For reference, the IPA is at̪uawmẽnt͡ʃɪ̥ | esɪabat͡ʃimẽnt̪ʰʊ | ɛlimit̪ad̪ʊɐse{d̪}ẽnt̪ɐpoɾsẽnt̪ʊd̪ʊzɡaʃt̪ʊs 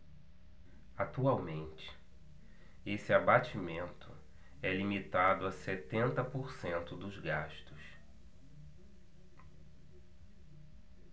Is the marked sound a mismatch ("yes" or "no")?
yes